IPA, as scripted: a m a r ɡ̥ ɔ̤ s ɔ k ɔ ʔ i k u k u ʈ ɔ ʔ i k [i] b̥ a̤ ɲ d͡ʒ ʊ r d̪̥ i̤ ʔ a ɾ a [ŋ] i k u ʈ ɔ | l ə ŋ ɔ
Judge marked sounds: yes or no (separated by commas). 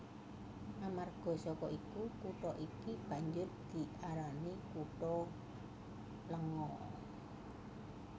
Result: yes, no